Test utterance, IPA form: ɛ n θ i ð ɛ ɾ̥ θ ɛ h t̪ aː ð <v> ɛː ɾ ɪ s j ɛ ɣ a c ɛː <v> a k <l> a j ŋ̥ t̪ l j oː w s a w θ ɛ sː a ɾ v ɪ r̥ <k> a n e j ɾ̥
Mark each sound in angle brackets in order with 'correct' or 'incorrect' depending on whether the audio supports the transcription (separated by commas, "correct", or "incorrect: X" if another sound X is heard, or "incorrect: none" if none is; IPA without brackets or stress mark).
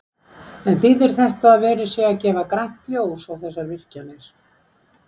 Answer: correct, correct, incorrect: ɾ, incorrect: c